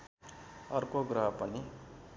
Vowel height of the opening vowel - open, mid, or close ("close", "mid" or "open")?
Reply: mid